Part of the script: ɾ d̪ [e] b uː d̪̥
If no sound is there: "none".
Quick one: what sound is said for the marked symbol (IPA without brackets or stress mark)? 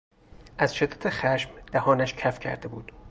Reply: e